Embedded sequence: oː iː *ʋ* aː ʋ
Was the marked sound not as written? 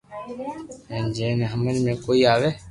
yes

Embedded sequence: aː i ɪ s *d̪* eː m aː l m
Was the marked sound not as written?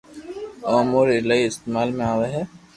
yes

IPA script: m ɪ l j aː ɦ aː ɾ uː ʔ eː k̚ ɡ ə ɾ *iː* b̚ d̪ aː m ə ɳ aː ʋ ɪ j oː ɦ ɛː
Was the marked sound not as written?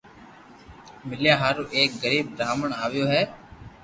no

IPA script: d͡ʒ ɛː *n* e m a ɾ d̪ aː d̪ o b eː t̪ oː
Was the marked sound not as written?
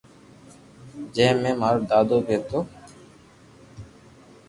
yes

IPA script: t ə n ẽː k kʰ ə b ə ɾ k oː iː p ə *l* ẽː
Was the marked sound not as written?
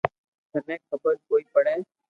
yes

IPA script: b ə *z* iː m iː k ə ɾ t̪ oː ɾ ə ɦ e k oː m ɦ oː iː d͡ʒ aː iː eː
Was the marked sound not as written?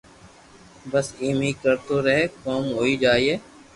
yes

